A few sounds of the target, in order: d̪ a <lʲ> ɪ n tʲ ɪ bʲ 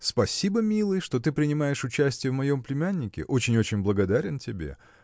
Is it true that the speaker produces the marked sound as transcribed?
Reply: no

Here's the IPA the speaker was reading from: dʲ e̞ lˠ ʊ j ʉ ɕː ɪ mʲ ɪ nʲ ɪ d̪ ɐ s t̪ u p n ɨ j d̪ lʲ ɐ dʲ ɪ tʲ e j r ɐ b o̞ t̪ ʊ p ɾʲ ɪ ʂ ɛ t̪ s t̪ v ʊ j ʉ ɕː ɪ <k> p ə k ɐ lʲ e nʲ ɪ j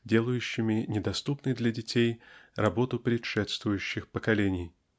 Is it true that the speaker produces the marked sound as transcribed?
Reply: no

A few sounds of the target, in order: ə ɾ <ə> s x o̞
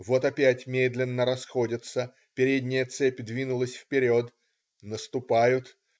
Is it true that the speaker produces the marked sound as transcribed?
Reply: no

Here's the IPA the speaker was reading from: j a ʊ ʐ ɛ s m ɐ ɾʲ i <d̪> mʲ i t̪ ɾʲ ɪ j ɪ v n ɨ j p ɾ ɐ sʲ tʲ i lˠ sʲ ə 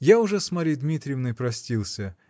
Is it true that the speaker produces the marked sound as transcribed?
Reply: yes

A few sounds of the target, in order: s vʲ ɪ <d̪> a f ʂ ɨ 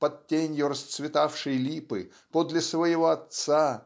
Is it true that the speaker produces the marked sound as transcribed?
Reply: no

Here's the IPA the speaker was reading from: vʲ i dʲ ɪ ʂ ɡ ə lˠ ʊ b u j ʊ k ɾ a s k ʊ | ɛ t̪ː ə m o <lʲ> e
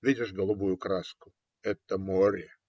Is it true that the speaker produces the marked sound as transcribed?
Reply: no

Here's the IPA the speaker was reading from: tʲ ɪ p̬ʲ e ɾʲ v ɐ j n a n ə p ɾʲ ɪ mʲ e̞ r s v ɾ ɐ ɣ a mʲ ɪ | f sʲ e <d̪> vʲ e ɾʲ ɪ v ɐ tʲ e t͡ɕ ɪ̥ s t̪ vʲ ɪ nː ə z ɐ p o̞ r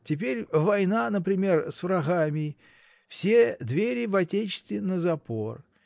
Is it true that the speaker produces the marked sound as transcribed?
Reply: yes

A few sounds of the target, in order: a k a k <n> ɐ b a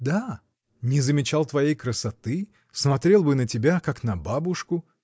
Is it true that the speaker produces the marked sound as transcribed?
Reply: yes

